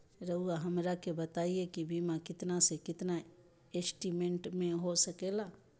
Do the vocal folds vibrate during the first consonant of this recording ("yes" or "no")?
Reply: yes